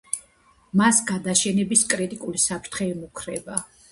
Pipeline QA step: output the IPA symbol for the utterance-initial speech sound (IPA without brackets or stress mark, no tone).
m